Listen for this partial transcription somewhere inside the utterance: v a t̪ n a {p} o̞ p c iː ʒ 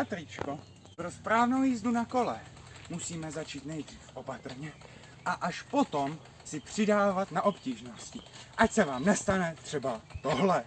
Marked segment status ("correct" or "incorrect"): incorrect